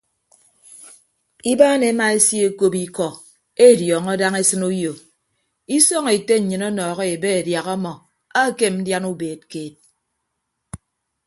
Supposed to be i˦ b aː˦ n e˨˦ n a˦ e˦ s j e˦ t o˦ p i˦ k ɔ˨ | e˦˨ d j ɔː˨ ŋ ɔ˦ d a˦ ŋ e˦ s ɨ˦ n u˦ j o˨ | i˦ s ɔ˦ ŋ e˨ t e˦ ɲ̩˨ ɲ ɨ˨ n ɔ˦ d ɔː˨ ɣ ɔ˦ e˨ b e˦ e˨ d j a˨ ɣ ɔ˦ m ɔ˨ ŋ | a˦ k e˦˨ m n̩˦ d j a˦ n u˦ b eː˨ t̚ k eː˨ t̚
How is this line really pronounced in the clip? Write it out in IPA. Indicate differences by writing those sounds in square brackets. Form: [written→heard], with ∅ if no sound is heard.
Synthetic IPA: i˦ b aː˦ n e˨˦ [n→m] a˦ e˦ s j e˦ [t→k] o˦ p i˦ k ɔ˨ | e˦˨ d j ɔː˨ ŋ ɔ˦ d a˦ ŋ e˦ s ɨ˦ n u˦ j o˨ | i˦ s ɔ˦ ŋ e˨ t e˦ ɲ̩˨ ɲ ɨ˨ n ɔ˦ [d→n] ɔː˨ ɣ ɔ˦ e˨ b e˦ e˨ d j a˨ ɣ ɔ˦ m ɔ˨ [ŋ→∅] | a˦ k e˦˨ m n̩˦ d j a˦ n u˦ b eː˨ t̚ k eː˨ t̚